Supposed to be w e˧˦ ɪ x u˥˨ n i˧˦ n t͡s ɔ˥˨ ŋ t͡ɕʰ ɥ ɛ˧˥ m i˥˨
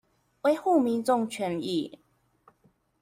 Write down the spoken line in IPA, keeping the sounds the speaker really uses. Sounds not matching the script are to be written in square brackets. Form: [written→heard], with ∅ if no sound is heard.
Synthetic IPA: w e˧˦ ɪ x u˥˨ [n→m] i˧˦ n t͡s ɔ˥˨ ŋ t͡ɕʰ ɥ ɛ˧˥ [m→n] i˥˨

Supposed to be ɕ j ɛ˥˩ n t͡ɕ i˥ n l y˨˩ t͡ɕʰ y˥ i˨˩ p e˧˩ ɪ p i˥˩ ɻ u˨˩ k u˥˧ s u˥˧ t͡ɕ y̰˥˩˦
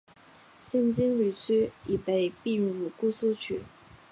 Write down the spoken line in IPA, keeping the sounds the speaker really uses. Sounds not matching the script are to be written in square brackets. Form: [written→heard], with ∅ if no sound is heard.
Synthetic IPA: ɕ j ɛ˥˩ n t͡ɕ i˥ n l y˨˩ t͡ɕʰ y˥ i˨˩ p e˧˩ ɪ p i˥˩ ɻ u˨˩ k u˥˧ s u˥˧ [t͡ɕ→t͡ɕʰ] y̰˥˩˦

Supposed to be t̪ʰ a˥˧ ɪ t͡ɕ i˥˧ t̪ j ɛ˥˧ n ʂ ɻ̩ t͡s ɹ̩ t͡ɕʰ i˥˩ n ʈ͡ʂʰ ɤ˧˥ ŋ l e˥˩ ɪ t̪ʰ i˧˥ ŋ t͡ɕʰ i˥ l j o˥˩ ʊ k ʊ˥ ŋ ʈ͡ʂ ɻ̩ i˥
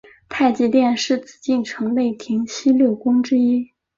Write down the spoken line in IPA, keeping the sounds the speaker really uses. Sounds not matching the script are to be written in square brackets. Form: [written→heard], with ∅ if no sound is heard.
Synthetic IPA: t̪ʰ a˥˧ ɪ t͡ɕ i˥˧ t̪ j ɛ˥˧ n ʂ ɻ̩ t͡s ɹ̩ [t͡ɕʰ→t͡ɕ] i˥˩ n ʈ͡ʂʰ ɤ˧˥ ŋ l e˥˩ ɪ t̪ʰ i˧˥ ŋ t͡ɕʰ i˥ l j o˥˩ ʊ k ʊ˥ ŋ ʈ͡ʂ ɻ̩ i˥

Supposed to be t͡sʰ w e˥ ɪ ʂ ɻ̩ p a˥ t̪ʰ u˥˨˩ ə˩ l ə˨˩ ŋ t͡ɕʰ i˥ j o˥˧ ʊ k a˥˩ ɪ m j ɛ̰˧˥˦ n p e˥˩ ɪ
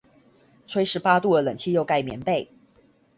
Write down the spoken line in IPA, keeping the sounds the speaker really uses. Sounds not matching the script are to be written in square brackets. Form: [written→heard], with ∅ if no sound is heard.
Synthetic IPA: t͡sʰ w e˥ ɪ ʂ ɻ̩ p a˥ [t̪ʰ→t̪] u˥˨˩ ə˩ l ə˨˩ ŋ t͡ɕʰ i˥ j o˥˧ ʊ k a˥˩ ɪ m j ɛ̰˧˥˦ n p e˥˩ ɪ

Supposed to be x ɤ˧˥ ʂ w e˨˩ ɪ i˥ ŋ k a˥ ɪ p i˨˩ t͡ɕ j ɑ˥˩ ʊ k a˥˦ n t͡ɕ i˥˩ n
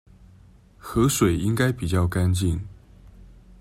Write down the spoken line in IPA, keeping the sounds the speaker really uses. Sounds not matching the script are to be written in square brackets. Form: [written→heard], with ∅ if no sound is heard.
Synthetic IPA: x ɤ˧˥ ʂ w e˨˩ ɪ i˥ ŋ k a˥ ɪ p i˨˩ t͡ɕ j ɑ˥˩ ʊ k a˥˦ n t͡ɕ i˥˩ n

